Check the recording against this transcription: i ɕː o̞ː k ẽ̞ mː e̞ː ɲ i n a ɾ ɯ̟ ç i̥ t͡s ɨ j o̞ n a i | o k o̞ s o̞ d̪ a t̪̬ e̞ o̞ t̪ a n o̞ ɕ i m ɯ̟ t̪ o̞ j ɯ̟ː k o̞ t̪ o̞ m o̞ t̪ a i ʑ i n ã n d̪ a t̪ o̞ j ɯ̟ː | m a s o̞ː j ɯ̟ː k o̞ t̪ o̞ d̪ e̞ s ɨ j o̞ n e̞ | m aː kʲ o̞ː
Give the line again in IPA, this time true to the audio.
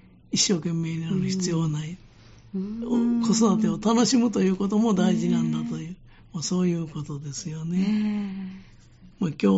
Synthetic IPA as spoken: i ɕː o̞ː k ẽ̞ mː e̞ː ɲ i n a ɾ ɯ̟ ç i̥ t͡s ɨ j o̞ n a i | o k o̞ s o̞ d̪ a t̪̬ e̞ o̞ t̪ a n o̞ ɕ i m ɯ̟ t̪ o̞ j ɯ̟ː k o̞ t̪ o̞ m o̞ d̪ a i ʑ i n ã n d̪ a t̪ o̞ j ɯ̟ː | m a s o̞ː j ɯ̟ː k o̞ t̪ o̞ d̪ e̞ s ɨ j o̞ n e̞ | m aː kʲ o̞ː